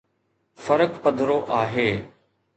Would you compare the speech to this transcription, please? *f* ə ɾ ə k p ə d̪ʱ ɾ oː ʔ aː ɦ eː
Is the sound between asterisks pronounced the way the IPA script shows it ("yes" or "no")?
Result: yes